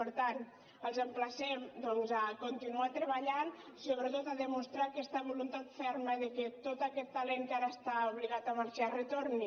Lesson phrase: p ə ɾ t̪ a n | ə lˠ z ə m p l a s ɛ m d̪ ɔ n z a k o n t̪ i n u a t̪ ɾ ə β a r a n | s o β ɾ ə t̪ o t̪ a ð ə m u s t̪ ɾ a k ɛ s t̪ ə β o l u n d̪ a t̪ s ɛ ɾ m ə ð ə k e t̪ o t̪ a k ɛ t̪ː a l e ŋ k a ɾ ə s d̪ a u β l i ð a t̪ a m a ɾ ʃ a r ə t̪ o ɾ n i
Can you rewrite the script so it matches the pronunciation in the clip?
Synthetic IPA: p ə ɾ t̪ a n | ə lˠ z ə m p l a s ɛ m d̪ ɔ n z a k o n t̪ i n u a t̪ ɾ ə β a ʎ a n | s o β ɾ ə t̪ o t̪ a ð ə m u s t̪ ɾ a k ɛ s t̪ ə β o l u n t̪ a t̪ f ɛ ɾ m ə ð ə k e t̪ o t̪ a k ɛ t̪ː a l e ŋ k a ɾ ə s t̪ a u β l i ɣ a t̪ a m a ɾ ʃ a r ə t̪ o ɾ n i